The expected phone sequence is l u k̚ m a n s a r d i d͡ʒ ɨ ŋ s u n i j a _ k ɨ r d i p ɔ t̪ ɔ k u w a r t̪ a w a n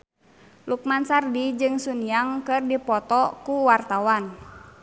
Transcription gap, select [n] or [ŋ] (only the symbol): ŋ